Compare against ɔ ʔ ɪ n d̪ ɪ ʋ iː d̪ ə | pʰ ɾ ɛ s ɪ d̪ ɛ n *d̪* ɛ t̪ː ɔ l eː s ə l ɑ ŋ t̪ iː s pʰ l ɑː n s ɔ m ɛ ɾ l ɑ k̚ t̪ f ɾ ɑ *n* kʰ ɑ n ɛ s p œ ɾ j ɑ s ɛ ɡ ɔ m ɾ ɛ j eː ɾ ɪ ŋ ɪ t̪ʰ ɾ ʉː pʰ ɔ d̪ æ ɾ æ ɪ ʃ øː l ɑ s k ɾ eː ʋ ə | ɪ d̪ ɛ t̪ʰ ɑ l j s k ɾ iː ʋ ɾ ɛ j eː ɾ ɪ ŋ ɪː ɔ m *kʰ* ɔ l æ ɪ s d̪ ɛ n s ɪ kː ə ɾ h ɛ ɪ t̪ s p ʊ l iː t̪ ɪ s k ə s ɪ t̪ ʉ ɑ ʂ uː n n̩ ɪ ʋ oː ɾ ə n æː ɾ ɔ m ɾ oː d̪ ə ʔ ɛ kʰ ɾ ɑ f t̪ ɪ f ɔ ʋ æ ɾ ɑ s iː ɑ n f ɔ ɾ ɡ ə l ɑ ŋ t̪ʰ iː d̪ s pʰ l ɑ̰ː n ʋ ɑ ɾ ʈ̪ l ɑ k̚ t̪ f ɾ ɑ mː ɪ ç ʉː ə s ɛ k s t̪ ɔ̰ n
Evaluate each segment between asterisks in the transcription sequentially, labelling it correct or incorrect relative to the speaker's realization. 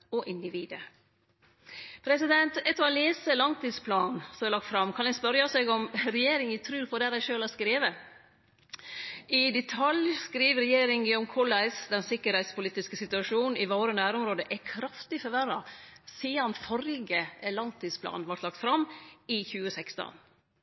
incorrect: t̪, incorrect: m, correct

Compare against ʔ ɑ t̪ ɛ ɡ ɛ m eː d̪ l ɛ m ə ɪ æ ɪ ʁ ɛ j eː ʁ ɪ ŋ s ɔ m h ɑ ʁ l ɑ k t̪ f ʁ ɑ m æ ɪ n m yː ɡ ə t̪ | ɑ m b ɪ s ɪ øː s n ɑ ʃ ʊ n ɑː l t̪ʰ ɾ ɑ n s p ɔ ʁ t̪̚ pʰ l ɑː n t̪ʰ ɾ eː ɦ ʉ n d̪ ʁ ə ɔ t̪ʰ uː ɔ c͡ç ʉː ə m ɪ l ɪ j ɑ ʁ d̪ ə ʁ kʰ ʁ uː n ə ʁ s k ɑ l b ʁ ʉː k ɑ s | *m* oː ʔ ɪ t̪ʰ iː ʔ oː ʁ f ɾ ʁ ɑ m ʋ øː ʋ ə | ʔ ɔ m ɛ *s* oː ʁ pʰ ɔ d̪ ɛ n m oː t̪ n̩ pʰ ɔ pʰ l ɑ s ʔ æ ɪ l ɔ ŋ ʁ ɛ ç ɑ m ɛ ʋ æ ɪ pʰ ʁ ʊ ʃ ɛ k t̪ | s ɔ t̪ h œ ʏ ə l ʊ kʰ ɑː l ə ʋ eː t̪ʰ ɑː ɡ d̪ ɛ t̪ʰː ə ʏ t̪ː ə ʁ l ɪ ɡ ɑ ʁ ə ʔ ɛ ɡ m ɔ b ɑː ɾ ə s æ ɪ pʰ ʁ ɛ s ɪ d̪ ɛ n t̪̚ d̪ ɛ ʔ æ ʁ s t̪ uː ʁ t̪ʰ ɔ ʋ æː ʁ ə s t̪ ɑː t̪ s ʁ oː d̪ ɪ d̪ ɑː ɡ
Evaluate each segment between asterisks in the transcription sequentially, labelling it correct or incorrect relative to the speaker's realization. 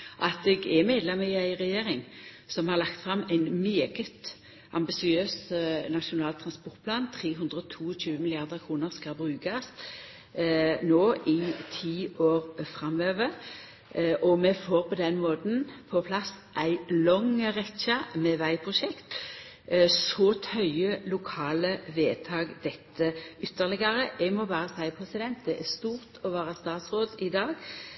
incorrect: n, incorrect: f

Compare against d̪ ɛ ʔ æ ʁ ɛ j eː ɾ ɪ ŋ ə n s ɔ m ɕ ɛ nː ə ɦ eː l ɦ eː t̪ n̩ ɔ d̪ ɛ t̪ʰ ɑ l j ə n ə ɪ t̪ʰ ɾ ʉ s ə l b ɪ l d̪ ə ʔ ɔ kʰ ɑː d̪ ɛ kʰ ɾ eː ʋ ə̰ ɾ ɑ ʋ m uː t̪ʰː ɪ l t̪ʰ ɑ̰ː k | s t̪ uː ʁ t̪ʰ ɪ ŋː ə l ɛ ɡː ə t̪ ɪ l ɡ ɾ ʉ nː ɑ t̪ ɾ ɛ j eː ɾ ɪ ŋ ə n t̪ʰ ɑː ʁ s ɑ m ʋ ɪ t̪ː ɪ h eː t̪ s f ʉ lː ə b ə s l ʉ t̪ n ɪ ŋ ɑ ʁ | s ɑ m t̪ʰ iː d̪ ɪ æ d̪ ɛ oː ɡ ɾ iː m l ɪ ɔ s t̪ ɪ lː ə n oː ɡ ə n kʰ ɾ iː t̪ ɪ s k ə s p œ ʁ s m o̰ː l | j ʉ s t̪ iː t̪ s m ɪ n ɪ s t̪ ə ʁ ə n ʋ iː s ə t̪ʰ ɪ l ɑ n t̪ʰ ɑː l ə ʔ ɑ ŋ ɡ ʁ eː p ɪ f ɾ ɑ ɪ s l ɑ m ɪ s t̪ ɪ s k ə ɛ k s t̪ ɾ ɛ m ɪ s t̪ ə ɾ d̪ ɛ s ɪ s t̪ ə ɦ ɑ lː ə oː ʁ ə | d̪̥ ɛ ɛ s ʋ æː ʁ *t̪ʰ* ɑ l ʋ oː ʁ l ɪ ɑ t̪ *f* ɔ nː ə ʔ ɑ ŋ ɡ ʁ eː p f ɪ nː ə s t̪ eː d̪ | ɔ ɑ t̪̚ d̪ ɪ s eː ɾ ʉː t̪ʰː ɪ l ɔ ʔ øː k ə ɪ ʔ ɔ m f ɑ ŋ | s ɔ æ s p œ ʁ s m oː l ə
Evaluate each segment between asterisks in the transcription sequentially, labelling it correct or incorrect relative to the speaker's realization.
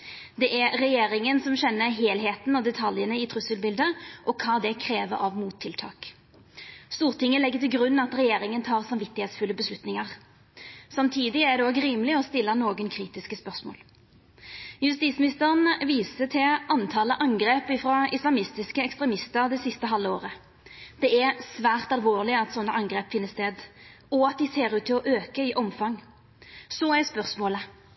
incorrect: t̪, incorrect: s

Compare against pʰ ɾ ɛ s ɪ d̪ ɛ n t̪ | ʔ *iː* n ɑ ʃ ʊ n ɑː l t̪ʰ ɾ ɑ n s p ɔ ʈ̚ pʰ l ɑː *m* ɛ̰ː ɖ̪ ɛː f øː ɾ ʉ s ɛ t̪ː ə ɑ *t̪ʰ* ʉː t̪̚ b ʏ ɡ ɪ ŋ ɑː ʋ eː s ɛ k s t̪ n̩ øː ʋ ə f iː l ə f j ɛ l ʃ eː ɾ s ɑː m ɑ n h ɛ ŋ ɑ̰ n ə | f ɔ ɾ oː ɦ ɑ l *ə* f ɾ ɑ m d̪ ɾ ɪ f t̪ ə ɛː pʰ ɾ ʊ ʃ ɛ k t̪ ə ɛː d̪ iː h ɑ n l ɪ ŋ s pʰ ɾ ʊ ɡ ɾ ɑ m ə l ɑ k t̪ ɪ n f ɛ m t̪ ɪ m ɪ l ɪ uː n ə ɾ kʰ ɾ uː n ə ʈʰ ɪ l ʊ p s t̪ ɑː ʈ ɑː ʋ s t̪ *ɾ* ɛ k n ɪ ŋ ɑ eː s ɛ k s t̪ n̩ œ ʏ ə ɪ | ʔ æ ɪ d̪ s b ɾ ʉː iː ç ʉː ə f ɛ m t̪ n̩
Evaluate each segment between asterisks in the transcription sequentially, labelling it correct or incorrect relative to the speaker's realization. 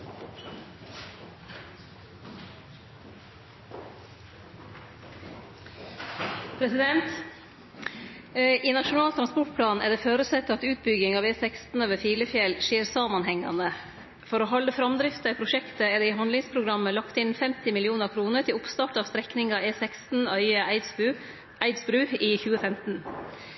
correct, incorrect: n, incorrect: t̪, correct, correct

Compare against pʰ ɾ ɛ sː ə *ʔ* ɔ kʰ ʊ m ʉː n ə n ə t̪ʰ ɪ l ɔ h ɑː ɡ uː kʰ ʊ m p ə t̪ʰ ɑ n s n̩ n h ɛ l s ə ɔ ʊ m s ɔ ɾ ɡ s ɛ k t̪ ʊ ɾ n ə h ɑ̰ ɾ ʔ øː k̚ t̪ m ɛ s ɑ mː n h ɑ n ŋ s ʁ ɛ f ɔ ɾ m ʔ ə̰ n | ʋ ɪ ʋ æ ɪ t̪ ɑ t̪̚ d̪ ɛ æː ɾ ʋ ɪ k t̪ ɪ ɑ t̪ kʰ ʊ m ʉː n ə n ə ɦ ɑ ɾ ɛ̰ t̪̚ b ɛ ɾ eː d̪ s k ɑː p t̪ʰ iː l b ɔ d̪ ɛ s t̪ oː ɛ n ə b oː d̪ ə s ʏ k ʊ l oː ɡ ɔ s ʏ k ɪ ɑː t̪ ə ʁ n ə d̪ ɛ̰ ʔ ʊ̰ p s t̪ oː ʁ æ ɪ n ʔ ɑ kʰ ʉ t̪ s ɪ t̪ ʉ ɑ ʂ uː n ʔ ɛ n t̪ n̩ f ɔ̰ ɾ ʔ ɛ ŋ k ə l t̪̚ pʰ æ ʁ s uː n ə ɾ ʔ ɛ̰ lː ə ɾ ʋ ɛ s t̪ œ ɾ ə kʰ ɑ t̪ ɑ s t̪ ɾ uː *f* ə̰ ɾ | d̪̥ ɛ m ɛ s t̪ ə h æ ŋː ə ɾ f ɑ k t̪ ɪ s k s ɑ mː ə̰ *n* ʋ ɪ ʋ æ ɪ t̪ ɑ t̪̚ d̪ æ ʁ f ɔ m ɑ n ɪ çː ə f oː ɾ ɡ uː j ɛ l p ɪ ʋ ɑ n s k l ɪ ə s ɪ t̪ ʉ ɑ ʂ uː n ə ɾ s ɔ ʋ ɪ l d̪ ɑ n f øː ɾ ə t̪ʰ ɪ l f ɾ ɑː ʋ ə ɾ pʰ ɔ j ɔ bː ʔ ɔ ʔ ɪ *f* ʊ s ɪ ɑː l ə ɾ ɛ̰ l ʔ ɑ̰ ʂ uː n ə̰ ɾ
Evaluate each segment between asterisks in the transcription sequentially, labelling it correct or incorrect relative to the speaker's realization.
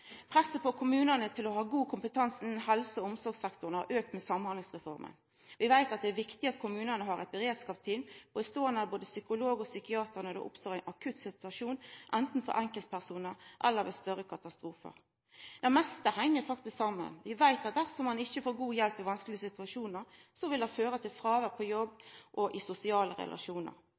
incorrect: p, correct, correct, incorrect: s

